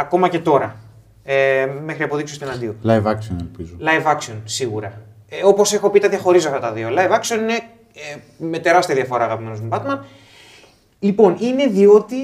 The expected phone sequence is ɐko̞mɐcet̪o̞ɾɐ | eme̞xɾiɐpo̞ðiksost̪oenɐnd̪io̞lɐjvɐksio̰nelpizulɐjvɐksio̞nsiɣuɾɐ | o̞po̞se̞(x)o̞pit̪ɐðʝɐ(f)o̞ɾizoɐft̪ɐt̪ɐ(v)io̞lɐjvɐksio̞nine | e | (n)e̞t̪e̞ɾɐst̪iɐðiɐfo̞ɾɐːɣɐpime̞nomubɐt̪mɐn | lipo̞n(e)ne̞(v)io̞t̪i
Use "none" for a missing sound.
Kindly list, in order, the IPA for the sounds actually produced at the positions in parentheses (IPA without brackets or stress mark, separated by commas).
x, x, ð, m, i, ð